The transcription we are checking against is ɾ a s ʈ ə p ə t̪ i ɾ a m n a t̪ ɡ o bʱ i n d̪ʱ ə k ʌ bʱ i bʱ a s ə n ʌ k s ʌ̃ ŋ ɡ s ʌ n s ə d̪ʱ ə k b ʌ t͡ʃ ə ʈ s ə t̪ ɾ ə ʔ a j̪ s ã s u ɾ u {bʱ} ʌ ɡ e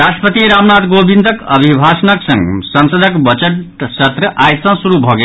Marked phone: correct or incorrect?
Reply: correct